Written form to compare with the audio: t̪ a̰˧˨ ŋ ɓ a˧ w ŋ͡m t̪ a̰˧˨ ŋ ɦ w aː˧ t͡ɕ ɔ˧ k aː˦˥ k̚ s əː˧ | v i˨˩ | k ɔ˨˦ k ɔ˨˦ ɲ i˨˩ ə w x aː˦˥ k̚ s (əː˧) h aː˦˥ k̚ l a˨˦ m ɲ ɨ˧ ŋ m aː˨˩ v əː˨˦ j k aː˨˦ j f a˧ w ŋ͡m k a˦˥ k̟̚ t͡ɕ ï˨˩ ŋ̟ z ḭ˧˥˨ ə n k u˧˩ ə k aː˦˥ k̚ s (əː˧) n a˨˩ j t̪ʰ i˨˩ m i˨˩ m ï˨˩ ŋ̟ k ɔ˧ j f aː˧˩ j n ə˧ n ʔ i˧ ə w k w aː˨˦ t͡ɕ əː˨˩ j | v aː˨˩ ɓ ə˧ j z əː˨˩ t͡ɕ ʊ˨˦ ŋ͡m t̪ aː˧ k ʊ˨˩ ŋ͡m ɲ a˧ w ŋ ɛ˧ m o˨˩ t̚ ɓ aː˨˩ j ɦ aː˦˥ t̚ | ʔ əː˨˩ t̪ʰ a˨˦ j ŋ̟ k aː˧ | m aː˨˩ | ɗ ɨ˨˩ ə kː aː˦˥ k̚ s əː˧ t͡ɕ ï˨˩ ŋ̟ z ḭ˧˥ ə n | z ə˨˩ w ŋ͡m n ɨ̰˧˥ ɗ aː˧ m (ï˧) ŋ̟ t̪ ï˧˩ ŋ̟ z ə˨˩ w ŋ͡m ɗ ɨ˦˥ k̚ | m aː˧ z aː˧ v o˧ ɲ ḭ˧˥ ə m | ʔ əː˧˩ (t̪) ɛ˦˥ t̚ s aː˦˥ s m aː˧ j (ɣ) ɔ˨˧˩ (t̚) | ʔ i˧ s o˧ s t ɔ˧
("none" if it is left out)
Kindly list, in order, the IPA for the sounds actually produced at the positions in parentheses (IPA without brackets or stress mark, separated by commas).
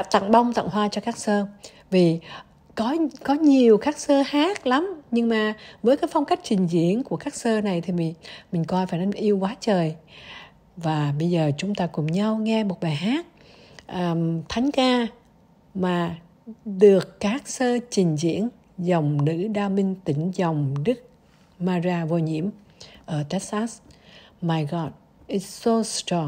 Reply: əː˧, əː˧, ï˧, t̪, ɣ, t̚